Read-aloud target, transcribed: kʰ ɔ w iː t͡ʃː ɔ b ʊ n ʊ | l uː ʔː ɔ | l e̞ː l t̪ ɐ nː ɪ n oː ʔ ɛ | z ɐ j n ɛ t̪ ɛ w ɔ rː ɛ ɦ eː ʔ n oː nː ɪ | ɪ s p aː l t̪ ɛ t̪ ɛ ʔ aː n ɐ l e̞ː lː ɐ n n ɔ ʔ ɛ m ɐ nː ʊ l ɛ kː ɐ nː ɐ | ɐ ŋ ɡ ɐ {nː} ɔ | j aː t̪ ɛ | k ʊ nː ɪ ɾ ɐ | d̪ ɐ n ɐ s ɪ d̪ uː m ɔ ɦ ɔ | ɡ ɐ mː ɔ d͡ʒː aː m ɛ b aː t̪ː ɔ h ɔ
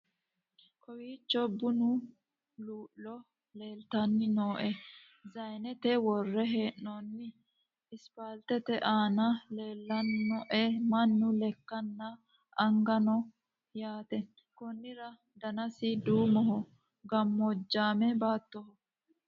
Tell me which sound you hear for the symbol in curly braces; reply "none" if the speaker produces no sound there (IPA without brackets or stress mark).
n